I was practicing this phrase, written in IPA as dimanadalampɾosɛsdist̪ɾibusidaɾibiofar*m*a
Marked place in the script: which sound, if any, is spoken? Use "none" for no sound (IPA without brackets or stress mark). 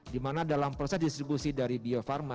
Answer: m